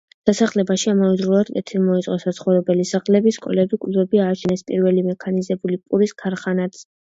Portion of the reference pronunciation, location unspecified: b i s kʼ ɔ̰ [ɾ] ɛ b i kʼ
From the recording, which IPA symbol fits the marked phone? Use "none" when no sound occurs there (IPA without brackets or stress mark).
l